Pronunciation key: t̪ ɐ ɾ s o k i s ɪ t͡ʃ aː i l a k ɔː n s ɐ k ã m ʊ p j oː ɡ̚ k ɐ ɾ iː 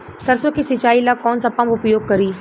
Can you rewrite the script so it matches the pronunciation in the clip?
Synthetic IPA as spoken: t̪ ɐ ɾ s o k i s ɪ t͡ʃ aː i l a k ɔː n s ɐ p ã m ʊ p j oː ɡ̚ k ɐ ɾ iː